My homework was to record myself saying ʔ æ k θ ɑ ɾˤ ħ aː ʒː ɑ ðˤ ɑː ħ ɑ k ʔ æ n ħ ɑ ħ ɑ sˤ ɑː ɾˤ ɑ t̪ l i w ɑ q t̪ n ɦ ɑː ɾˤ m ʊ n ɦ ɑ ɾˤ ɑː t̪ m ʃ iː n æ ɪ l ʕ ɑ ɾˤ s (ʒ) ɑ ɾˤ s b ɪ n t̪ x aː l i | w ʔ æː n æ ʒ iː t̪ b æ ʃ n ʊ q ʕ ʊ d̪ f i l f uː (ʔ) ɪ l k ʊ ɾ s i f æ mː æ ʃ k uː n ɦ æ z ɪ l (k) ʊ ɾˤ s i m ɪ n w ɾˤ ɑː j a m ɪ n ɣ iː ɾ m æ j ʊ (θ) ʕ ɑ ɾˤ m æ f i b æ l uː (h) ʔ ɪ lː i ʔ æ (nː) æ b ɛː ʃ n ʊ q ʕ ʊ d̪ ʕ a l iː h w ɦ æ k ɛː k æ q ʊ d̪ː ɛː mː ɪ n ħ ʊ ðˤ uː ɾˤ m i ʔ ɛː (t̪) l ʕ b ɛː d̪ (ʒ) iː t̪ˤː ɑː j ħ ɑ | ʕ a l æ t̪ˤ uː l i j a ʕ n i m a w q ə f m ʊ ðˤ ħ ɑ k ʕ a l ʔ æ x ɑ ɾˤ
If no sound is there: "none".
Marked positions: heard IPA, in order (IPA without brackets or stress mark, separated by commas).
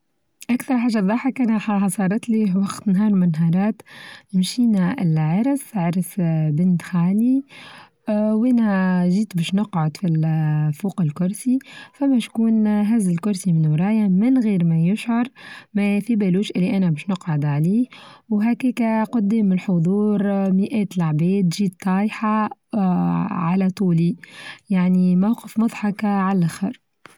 ʕ, q, k, ʃ, ʃ, n, t̪, ʒ